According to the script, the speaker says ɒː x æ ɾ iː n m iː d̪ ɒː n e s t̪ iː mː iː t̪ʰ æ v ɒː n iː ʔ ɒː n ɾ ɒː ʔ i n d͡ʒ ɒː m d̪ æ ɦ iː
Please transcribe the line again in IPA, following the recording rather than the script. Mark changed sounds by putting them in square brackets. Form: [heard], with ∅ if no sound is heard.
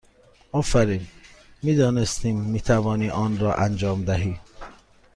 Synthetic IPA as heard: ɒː [f] æ ɾ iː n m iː d̪ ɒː n e s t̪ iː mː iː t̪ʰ æ v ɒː n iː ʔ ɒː n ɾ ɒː ʔ [æ] n d͡ʒ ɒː m d̪ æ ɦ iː